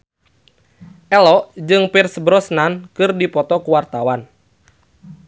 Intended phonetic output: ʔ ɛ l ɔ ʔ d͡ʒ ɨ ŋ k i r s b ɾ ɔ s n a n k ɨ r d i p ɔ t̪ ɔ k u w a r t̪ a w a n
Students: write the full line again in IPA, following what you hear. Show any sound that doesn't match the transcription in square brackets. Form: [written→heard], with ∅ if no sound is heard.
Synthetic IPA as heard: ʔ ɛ l ɔ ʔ d͡ʒ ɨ ŋ [k→p] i r s b ɾ ɔ s n a n k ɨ r d i p ɔ t̪ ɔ k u w a r t̪ a w a n

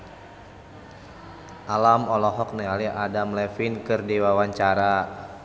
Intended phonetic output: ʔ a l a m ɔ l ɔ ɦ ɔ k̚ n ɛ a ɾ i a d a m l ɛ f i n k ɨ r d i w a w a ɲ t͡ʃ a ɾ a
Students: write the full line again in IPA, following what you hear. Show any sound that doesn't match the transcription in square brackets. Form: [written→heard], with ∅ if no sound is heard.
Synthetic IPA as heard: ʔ a l a m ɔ l ɔ ɦ ɔ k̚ n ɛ a [ɾ→l] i a d a m l ɛ f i n k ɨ r d i w a w a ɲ t͡ʃ a ɾ a

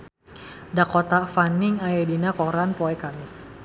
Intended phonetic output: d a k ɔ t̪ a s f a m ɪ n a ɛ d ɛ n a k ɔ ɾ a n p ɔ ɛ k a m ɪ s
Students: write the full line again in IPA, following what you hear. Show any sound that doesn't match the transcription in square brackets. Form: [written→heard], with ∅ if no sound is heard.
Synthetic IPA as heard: d a k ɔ t̪ a [s→∅] f a [m→n] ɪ [n→ŋ] a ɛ d [ɛ→i] n a k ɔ ɾ a n p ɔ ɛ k a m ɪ s

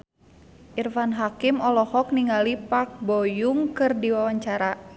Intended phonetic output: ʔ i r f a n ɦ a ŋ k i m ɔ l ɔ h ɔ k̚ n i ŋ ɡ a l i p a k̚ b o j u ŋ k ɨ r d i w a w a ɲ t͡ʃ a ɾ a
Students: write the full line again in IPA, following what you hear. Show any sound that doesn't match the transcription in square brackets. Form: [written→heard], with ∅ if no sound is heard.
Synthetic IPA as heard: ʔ i r f a n ɦ a [ŋ→∅] k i m ɔ l ɔ h ɔ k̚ n i ŋ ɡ a l i p a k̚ b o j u ŋ k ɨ r d i w a w a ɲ t͡ʃ a ɾ a

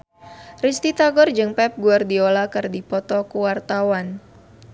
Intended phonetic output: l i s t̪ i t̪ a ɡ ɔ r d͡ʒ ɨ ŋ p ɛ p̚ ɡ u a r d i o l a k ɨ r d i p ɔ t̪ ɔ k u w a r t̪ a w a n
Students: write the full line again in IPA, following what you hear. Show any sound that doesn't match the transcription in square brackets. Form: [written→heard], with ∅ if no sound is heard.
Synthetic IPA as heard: [l→r] i s t̪ i t̪ a ɡ ɔ r d͡ʒ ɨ ŋ p ɛ p̚ ɡ u a r d i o l a k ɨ r d i p ɔ t̪ ɔ k u w a r t̪ a w a n

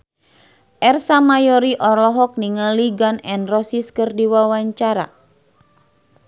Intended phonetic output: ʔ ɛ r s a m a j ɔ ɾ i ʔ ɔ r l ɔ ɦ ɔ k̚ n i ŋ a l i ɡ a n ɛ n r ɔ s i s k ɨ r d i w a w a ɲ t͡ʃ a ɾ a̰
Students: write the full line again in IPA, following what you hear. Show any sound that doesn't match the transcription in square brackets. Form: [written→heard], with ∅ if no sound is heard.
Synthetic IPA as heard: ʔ ɛ r s a m a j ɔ ɾ i ʔ ɔ r l ɔ ɦ ɔ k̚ n i ŋ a l i ɡ a n ɛ n r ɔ s i s k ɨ r d i w a w a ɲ t͡ʃ a ɾ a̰

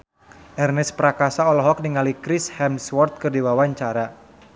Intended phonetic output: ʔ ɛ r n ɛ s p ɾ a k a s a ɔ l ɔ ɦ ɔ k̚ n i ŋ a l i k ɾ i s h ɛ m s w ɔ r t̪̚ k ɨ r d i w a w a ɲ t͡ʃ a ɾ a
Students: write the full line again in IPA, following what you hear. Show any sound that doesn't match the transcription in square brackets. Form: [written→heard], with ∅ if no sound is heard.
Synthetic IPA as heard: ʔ ɛ r n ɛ s p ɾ a k a s a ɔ l ɔ ɦ ɔ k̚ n i ŋ a l i k ɾ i s h ɛ m s w ɔ r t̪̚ k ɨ r d i w a w a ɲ t͡ʃ a ɾ a

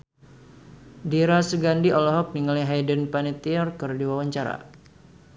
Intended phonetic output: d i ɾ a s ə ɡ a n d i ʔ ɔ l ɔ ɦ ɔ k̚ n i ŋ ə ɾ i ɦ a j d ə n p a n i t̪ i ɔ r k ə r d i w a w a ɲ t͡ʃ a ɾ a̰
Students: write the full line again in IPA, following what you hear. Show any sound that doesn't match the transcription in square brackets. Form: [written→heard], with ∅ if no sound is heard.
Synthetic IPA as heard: d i ɾ a s ə ɡ a n d i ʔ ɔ l ɔ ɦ ɔ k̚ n i ŋ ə [ɾ→l] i ɦ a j d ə n p a n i t̪ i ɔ r k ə r d i w a w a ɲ t͡ʃ a ɾ a̰

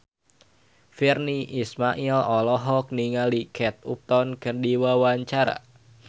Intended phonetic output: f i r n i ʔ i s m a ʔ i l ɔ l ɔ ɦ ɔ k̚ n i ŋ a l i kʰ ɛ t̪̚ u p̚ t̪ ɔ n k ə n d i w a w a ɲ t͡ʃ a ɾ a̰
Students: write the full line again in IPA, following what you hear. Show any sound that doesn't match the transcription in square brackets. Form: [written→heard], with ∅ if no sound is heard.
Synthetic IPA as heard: f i r n i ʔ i s m a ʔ i l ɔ l ɔ ɦ ɔ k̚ n i ŋ a l i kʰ ɛ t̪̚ u p̚ t̪ ɔ n k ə n d i w a w a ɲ t͡ʃ a ɾ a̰

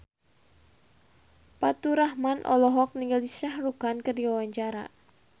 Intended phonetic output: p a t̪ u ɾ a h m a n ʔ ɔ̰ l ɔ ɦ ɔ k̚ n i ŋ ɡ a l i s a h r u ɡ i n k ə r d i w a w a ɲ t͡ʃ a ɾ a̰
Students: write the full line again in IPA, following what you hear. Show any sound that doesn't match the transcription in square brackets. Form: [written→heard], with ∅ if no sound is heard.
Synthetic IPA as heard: p a t̪ u ɾ a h m a n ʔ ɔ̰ l ɔ ɦ ɔ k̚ n i ŋ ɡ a l i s a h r u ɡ [i→a] n k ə r d i w a w a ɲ t͡ʃ a ɾ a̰

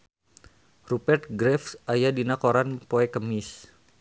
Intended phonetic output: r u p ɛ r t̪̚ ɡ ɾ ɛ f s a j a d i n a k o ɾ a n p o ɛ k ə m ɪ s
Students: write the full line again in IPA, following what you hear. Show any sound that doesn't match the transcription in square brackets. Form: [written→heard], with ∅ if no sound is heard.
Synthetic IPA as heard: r u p ɛ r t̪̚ ɡ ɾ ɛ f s a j a d i n a k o ɾ a n p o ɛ k ə m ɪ s

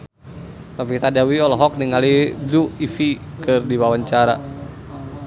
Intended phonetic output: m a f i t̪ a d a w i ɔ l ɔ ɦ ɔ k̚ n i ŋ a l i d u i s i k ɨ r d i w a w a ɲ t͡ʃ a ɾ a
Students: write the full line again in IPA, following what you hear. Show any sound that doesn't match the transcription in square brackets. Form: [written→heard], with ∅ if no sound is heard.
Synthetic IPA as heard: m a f i t̪ a d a w i ɔ l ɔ ɦ ɔ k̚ n i ŋ a l i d u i [s→f] i k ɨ r d i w a w a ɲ t͡ʃ a ɾ a

